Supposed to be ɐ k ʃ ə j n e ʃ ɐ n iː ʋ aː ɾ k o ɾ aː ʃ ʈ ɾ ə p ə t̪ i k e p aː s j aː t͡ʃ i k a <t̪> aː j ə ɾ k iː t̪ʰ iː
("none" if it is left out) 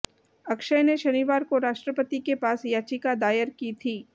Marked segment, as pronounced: d̪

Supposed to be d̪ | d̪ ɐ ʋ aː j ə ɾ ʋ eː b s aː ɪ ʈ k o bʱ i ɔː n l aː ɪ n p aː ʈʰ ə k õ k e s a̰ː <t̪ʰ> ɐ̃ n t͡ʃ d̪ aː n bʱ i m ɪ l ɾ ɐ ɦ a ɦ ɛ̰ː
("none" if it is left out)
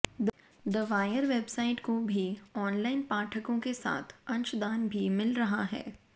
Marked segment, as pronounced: t̪ʰ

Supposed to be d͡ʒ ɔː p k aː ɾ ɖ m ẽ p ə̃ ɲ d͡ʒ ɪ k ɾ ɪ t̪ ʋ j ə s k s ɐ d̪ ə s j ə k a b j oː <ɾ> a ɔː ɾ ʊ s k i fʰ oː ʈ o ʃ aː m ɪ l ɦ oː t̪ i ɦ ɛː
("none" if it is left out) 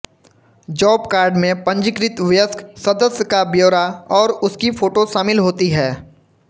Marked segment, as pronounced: ɾ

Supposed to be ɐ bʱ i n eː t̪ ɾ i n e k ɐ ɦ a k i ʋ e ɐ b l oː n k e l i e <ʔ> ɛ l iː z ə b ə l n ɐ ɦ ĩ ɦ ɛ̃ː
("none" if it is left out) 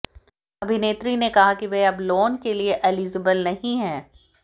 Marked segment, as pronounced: ʔ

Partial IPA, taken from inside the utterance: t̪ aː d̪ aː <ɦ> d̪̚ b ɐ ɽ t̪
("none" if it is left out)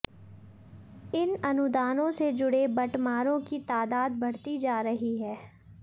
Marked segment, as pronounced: none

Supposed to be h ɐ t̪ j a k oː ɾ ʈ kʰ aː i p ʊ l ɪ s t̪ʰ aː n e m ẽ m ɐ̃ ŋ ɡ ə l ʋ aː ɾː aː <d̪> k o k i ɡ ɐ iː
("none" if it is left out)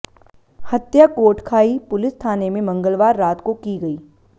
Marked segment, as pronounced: t̪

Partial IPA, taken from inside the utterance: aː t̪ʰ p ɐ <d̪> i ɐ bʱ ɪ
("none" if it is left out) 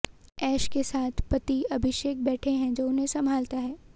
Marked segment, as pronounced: t̪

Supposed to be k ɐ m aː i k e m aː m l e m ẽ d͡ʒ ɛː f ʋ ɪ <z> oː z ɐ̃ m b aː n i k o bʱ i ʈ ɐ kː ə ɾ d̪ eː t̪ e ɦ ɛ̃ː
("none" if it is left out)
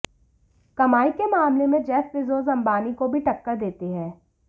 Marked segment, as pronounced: z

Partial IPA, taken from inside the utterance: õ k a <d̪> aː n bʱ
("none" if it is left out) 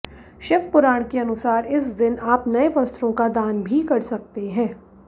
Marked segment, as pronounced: d̪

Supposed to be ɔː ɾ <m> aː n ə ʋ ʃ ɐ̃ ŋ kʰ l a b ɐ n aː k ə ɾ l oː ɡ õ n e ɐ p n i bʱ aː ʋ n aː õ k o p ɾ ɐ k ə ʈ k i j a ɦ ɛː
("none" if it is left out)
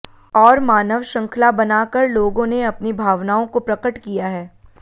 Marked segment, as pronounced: m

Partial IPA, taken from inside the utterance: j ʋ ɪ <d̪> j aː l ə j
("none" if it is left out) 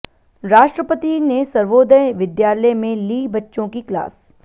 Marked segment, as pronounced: d̪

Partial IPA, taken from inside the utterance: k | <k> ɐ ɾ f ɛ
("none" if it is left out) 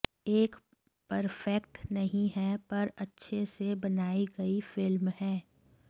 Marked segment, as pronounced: p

